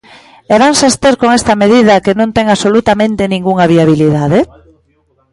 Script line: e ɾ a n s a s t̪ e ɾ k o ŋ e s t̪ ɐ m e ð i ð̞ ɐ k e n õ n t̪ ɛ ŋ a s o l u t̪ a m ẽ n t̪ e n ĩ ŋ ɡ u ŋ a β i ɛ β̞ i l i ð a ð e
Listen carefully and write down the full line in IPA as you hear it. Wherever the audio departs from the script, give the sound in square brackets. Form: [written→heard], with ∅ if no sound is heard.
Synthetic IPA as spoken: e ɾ a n s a s t̪ e ɾ k o ŋ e s t̪ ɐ m e ð i ð̞ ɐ k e n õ n t̪ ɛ ŋ a s o l u t̪ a m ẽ n t̪ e n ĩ ŋ ɡ u ŋ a β i [ɛ→a] β̞ i l i ð a ð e